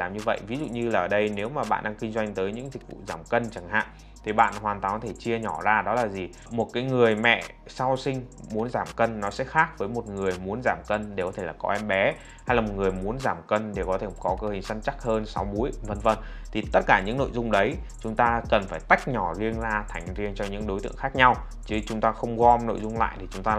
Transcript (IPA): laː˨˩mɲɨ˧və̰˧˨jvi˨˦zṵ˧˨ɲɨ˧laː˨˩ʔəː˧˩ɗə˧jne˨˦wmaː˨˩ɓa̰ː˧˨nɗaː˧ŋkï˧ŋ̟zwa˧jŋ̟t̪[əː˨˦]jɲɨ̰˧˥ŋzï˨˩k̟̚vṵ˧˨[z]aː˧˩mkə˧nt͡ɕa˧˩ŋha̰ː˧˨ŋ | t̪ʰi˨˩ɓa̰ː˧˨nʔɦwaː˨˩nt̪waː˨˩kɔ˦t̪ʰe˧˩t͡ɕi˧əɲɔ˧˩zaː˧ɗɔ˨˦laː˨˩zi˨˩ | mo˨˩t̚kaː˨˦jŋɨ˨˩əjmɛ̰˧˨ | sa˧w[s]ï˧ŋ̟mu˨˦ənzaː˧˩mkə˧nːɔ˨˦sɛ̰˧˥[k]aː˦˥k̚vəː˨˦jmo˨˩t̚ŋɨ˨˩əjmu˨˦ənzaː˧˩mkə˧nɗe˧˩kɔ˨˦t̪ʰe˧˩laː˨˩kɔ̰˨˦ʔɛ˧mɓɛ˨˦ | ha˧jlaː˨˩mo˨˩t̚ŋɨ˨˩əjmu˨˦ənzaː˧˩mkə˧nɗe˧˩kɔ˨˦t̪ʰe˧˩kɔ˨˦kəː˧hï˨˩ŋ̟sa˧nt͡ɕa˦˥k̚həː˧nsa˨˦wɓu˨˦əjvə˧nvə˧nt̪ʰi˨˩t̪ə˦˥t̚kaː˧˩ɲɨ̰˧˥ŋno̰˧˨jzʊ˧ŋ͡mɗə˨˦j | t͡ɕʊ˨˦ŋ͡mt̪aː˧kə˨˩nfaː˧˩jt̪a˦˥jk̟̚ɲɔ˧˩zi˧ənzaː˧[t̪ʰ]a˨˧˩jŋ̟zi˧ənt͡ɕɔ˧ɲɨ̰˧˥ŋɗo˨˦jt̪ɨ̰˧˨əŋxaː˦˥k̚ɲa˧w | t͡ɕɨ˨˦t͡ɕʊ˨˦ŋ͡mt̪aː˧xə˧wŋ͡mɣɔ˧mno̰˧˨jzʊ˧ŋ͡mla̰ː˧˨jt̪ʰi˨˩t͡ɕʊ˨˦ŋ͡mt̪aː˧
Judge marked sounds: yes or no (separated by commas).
yes, yes, yes, no, yes